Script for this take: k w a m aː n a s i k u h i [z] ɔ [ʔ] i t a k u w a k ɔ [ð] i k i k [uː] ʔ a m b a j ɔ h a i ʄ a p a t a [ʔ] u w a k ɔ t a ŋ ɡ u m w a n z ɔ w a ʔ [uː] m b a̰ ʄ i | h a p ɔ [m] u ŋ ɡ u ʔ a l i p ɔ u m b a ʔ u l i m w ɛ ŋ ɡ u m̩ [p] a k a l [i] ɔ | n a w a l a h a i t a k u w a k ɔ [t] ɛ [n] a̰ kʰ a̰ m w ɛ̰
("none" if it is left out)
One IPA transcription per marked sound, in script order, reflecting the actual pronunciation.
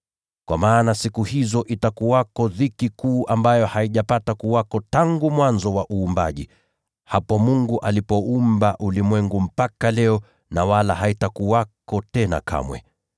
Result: z, ʔ, ð, uː, k, uː, m, p, ɛ, t, n

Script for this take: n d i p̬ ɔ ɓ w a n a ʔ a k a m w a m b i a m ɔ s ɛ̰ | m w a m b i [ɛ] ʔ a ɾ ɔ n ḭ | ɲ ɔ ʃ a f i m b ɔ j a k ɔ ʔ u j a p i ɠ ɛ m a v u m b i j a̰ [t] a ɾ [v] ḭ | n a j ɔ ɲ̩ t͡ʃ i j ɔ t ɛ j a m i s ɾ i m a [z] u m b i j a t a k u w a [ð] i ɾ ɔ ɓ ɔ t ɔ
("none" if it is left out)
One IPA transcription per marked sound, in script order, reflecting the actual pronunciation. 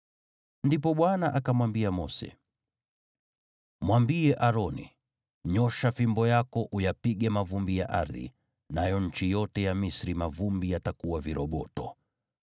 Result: ɛ, ʔ, ð, v, v

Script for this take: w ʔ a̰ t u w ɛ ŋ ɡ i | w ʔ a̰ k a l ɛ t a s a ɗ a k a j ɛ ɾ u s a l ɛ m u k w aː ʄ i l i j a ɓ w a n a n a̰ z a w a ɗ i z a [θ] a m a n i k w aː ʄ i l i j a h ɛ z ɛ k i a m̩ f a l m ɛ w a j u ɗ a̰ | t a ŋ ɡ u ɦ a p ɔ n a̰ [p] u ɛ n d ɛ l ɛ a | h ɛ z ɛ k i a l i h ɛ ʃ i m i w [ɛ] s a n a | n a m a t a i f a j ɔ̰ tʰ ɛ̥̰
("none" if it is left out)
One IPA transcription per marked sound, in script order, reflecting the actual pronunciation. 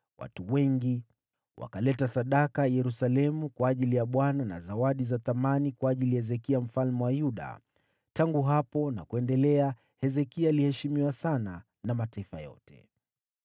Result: θ, k, a

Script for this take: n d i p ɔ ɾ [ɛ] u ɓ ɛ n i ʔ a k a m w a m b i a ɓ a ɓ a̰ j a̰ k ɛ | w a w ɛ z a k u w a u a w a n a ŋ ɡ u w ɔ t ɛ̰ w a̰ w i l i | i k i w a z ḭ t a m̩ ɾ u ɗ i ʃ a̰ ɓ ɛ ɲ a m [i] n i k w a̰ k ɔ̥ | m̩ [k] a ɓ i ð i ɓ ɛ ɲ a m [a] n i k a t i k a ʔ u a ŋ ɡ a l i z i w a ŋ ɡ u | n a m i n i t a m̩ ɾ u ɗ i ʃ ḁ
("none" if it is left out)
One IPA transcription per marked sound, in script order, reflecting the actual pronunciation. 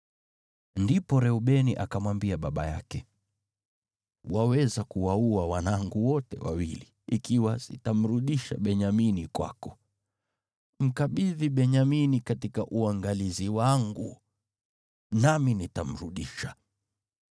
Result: ɛ, i, k, i

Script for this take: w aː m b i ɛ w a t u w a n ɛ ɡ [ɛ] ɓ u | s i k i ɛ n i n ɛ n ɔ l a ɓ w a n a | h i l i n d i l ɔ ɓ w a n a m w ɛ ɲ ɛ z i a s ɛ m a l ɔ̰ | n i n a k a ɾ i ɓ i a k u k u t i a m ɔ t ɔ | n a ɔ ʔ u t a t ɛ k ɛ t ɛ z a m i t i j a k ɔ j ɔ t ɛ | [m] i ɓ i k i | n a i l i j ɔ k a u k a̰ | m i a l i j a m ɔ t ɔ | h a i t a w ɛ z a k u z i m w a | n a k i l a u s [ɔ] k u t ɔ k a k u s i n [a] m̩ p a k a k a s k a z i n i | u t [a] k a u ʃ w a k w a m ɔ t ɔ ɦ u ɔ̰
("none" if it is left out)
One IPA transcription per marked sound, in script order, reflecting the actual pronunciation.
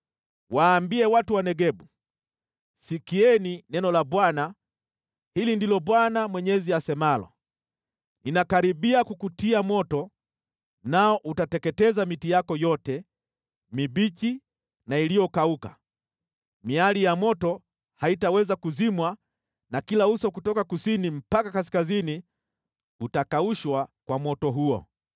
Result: ɛ, m, ɔ, i, a

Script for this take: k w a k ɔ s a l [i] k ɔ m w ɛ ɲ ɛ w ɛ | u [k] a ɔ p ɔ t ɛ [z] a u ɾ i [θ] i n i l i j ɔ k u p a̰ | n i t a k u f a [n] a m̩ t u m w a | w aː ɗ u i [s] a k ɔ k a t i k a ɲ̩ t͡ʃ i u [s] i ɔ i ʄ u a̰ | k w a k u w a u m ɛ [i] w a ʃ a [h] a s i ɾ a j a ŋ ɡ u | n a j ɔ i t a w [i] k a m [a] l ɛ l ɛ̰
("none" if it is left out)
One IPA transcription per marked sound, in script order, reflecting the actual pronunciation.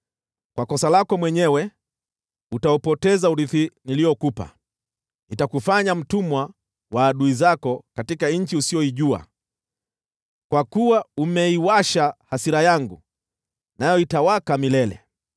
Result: a, t, z, θ, ɲ, z, s, i, h, a, i

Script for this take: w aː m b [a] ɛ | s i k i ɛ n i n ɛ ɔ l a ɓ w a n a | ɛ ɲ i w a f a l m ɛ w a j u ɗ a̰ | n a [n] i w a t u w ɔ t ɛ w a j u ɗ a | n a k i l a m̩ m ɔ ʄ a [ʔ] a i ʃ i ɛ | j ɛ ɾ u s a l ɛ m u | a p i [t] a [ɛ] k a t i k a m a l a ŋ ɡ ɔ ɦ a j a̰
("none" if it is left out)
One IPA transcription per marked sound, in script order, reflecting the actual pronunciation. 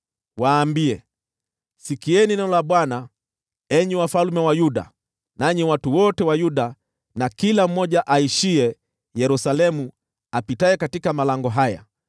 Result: i, ɲ, ʔ, t, ɛ

